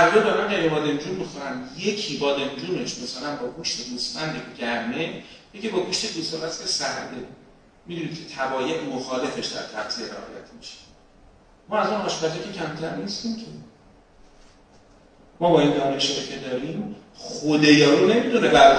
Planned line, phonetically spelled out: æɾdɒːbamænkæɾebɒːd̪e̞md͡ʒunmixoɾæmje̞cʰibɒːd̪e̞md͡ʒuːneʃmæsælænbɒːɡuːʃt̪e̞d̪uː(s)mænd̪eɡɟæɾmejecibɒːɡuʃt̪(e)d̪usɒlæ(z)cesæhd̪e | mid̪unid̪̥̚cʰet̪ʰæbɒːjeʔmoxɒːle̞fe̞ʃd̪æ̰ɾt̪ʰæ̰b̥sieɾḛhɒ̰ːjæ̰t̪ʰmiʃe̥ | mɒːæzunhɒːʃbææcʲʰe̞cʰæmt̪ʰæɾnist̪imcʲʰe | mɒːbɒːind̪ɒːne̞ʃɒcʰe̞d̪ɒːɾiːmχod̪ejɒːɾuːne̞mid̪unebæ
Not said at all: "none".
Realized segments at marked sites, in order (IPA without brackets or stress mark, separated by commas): s, e, s